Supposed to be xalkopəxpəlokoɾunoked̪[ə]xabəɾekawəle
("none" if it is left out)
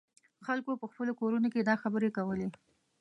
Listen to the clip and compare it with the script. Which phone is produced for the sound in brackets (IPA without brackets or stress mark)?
ɑ